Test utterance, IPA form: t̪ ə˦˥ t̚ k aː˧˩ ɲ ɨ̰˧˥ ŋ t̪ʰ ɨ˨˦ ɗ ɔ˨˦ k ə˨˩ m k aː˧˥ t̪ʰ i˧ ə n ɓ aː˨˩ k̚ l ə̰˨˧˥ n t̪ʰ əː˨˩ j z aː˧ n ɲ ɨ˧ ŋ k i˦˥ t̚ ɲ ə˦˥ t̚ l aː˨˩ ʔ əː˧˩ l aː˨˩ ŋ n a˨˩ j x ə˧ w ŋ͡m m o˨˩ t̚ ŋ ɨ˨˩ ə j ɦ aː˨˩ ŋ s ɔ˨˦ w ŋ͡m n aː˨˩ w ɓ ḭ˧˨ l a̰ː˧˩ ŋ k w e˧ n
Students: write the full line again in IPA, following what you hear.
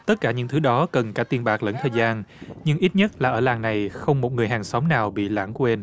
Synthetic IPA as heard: t̪ ə˦˥ t̚ k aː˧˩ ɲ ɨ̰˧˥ ŋ t̪ʰ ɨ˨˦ ɗ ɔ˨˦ k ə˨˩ n k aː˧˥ t̪ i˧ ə n ɓ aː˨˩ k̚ l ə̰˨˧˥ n t̪ʰ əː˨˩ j z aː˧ n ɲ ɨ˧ ŋ ʔ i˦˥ t̚ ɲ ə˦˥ t̚ l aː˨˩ ʔ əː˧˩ l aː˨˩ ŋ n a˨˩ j x ə˧ w ŋ͡m m o˨˩ t̚ ŋ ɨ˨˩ ə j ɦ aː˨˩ ŋ s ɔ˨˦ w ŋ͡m n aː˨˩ w ɓ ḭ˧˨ l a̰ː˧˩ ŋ k w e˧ n